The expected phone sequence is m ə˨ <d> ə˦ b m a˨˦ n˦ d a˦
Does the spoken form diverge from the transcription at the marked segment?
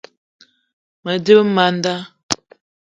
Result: no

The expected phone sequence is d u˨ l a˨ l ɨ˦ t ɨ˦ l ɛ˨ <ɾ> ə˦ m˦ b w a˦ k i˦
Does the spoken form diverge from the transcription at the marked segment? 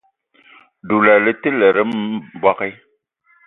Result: no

